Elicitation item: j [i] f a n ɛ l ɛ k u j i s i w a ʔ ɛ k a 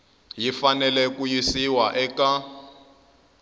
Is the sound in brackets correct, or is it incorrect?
correct